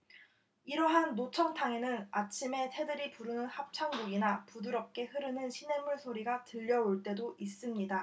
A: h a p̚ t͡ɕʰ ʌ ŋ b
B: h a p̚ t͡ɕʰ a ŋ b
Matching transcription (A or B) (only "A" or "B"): B